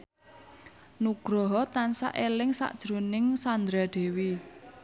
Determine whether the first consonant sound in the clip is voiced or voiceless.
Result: voiced